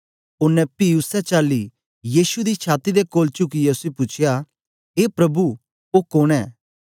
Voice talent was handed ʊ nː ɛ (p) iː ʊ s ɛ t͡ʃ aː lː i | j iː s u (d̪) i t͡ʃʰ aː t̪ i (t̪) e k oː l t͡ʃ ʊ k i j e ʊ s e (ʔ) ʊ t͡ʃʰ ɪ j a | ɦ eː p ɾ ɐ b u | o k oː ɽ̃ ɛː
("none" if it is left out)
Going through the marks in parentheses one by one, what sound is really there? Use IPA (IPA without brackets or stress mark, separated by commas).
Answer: p, d̪, d̪, p